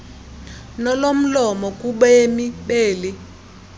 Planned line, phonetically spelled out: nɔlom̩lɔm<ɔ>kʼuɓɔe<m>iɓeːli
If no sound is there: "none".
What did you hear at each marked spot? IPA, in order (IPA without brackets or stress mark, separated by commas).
ɔ, m